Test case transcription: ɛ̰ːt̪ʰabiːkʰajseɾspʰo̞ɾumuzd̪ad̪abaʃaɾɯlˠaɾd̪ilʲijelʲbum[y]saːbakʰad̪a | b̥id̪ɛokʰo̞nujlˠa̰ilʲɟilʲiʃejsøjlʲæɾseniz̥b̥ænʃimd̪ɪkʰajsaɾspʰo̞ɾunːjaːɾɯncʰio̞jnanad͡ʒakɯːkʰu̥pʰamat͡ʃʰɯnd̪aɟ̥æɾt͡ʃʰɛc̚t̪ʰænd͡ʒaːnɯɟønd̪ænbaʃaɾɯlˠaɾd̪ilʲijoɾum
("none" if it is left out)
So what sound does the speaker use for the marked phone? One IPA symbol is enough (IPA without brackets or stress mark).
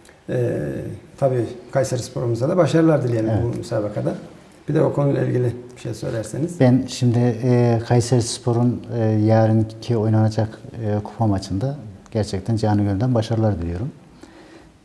y